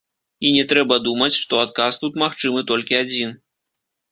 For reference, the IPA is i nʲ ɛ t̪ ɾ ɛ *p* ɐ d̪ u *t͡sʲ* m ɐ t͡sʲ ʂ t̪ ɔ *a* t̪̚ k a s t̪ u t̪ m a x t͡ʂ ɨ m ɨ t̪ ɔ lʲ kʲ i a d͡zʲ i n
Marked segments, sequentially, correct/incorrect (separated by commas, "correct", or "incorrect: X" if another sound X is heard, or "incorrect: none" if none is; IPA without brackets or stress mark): incorrect: b, incorrect: none, correct